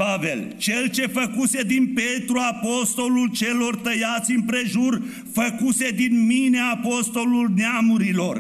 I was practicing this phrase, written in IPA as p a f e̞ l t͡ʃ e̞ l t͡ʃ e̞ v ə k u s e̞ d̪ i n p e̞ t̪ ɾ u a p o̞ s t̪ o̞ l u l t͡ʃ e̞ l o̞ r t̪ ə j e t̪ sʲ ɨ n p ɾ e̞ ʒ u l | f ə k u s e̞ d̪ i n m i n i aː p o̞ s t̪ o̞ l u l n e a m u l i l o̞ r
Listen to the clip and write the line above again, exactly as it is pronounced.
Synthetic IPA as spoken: p a v e̞ l t͡ʃ e̞ l t͡ʃ e̞ f ə k u s e̞ d̪ i n p e̞ t̪ ɾ u a p o̞ s t̪ o̞ l u l t͡ʃ e̞ l o̞ r t̪ ə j a t̪ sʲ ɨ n p ɾ e̞ ʒ u r | f ə k u s e̞ d̪ i n m i n e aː p o̞ s t̪ o̞ l u l n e a m u ɾ i l o̞ r